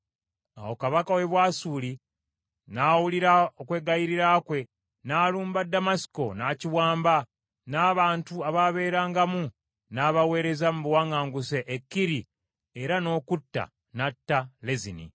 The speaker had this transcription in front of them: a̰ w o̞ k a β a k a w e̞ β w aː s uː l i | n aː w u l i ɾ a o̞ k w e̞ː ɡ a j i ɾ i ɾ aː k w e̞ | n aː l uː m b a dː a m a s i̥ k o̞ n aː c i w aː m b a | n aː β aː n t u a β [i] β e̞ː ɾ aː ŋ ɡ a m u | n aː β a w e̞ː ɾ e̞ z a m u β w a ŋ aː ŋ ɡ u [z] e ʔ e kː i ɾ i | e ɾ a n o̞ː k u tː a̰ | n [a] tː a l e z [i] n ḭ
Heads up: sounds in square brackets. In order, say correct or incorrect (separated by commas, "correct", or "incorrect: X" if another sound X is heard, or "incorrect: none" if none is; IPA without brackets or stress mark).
incorrect: a, incorrect: s, correct, correct